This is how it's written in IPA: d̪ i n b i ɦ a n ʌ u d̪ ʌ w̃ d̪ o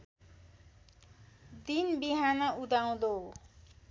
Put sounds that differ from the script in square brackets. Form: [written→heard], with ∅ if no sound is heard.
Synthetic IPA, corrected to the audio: d̪ i n b i ɦ a n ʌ u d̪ [ʌ→a] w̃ d̪ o